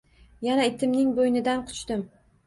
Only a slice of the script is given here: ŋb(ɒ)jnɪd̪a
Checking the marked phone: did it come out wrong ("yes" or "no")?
yes